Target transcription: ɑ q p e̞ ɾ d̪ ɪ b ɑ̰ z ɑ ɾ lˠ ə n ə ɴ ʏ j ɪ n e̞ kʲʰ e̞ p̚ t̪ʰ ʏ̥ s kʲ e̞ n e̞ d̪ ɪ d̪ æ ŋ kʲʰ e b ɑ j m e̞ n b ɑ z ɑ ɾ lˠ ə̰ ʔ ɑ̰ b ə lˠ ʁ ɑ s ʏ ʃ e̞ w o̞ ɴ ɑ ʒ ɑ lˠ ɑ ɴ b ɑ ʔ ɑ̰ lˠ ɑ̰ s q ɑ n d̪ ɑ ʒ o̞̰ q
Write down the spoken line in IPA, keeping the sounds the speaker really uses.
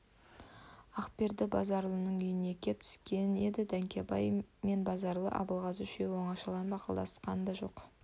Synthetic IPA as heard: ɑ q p e̞ ɾ d̪ ɪ b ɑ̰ z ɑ ɾ lˠ ə n ə ɴ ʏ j ɪ n e̞ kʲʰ e̞ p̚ t̪ʰ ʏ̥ s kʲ e̞ n e̞ d̪ ɪ d̪ æ ŋ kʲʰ e b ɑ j m e̞ n b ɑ z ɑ ɾ lˠ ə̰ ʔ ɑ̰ b ə lˠ ʁ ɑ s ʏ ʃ e̞ w o̞ ɴ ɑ ʃ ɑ lˠ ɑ n b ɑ q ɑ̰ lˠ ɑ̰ s q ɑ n d̪ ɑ ʒ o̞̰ q